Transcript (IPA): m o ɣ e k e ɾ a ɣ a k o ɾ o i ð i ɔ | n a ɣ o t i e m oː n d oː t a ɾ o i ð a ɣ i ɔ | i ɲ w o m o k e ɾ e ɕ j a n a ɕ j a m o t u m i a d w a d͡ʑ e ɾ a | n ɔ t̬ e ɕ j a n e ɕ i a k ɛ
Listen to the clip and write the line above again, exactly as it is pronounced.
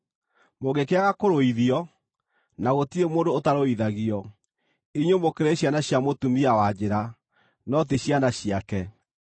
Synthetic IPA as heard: m o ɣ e k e a ɣ a k o ɾ o i ð i ɔ | n a ɣ o t i e m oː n d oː t a ɾ o i ð a ɣ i ɔ | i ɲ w o m o k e ɾ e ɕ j a n a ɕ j a m o t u m i a w a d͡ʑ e ɾ a | n ɔ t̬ e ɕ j a n a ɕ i a k ɛ